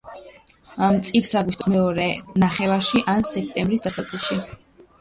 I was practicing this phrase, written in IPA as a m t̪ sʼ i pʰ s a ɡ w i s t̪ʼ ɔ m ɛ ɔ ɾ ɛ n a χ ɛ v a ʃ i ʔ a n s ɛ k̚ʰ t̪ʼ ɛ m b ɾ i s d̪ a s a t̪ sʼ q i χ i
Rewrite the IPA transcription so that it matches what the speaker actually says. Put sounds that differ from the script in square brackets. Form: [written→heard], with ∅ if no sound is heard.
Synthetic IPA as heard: a m t̪ sʼ i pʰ s a ɡ w i s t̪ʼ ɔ m ɛ ɔ ɾ ɛ n a χ ɛ v a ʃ i ʔ a n s ɛ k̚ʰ t̪ʼ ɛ m b ɾ i s d̪ a s a t̪ sʼ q i [χ→ʃ] i